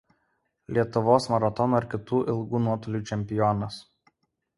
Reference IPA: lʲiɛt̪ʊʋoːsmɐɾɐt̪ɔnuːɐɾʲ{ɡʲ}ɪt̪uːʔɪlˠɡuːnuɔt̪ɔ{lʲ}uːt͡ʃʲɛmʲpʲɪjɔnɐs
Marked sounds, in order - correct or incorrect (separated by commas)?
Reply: incorrect, correct